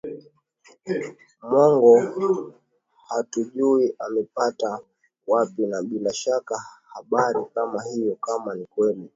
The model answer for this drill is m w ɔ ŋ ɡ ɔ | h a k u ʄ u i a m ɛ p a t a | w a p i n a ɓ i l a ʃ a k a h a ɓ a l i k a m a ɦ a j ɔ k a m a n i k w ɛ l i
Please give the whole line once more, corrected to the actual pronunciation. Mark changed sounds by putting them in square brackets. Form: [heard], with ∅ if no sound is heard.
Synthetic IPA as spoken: m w ɔ ŋ ɡ ɔ | h a [t] u ʄ u i a m ɛ p a t a | w a p i n a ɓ i l a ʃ a k a h a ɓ a [ɾ] i k a m a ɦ [i] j ɔ k a m a n i k w ɛ l i